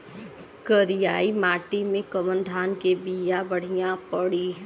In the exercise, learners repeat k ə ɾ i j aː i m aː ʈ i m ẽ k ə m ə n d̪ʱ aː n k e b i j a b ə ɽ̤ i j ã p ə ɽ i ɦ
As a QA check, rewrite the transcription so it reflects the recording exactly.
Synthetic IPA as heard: k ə ɾ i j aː i m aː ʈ i m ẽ k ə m ə n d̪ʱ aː n k e b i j a b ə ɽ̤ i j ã p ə ɽ i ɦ